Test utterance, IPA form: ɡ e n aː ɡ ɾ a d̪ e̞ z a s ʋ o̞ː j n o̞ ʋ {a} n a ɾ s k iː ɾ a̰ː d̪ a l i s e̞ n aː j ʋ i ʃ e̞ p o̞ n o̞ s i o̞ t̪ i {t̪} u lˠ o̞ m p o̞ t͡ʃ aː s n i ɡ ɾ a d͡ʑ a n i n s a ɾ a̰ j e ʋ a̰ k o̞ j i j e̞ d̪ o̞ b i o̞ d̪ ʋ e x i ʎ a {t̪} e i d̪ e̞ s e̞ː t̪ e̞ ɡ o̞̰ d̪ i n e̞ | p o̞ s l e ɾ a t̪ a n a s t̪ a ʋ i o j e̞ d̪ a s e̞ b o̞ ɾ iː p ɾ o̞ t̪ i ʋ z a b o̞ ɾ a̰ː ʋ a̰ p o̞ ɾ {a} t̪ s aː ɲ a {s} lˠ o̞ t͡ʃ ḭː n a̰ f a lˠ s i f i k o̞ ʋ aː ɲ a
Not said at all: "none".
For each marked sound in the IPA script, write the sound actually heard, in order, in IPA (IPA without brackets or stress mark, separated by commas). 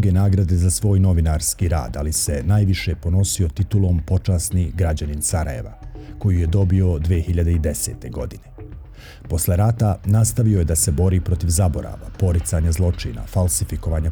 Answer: i, t̪, d̪, i, z